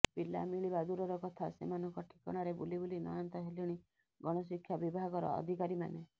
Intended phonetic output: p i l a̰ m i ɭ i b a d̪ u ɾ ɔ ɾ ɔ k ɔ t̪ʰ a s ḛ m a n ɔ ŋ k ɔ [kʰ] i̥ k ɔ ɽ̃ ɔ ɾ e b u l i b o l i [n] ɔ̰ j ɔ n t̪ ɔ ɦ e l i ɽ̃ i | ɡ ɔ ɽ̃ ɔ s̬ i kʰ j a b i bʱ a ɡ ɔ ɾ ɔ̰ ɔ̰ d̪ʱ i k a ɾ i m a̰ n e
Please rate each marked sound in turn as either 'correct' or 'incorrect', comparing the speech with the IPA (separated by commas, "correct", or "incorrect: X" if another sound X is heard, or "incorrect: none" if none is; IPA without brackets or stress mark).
incorrect: ʈʰ, correct